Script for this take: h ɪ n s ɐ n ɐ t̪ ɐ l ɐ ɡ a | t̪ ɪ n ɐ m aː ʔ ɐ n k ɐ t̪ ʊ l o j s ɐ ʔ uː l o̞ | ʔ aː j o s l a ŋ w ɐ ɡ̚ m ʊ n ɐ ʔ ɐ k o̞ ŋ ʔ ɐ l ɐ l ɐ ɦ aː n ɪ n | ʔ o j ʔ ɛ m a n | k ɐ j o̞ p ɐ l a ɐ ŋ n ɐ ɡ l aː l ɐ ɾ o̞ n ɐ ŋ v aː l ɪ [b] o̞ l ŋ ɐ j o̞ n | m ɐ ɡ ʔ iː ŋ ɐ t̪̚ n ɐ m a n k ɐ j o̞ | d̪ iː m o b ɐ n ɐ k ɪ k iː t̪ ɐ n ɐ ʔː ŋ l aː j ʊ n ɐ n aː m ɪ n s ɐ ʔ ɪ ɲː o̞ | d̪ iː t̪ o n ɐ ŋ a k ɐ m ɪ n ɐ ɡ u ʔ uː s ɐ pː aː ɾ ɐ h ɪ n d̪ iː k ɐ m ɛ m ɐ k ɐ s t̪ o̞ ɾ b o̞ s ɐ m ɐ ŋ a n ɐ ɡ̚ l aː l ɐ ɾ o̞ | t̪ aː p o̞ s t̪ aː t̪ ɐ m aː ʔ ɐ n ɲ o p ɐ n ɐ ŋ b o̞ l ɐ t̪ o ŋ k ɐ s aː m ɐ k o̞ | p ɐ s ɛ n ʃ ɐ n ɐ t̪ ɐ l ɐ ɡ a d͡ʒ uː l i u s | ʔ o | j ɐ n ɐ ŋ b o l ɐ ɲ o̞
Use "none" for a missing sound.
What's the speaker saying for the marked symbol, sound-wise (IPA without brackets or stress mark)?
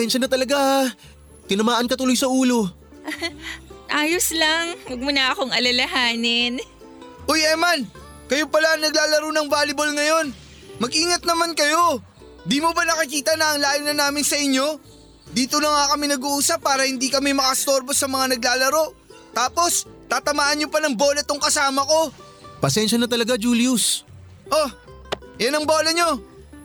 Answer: b